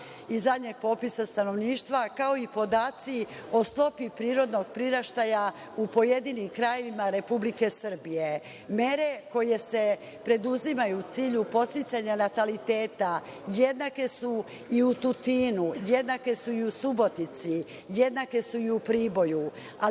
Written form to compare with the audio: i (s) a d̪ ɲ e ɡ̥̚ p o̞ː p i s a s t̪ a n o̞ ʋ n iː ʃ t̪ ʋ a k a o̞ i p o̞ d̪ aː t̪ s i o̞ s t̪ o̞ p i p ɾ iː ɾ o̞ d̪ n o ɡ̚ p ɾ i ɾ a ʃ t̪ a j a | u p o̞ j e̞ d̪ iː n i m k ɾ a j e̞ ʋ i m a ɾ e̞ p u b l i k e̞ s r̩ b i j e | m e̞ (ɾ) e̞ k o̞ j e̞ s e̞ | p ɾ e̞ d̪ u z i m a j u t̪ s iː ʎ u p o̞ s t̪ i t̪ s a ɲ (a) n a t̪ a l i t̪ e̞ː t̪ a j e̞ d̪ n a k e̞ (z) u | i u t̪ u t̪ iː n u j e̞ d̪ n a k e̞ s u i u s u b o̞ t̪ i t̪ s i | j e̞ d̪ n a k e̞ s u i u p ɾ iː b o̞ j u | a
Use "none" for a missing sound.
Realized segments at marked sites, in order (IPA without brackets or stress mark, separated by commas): z, ɾ, a, s